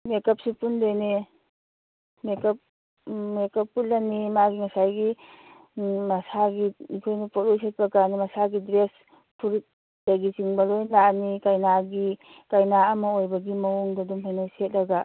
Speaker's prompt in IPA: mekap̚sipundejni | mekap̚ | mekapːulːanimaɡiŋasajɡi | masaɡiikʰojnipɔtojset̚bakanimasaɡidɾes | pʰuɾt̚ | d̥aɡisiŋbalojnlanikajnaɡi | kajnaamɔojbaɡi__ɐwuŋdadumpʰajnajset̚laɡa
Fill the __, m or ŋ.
m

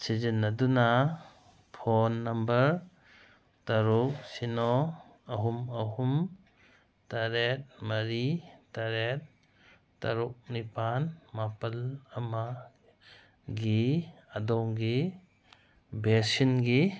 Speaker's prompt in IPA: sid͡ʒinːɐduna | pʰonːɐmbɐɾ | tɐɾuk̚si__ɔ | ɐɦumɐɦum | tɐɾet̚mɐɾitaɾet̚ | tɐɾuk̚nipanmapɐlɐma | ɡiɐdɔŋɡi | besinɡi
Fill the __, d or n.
n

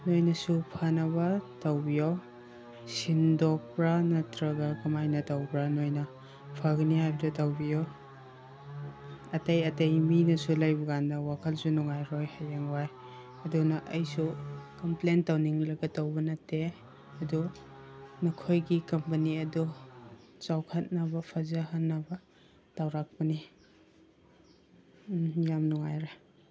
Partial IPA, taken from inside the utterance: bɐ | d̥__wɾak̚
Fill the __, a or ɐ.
a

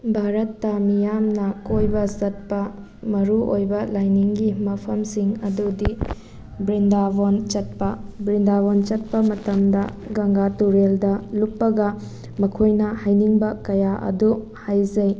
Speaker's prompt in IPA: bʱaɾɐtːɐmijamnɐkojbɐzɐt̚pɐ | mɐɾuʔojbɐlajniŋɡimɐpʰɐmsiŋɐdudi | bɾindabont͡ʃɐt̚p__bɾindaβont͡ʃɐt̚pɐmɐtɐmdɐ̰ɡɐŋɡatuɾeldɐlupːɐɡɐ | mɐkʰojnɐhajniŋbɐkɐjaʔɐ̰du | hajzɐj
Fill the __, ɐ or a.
ɐ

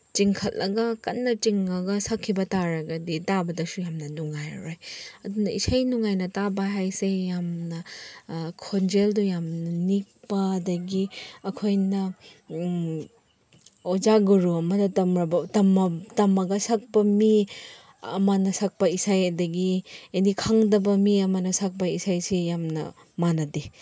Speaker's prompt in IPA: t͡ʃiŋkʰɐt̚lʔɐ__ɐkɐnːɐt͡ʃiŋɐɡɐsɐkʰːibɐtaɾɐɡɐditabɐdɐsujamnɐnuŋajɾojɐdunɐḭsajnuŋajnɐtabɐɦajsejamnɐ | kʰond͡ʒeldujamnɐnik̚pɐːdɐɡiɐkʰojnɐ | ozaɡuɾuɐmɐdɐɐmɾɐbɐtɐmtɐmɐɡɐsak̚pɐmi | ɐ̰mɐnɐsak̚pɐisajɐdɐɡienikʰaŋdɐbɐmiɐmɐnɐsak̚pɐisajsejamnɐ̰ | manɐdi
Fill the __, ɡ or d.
ɡ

